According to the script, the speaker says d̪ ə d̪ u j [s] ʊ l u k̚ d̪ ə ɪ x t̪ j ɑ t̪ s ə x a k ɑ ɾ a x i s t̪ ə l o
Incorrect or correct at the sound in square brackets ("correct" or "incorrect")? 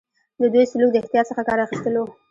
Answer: correct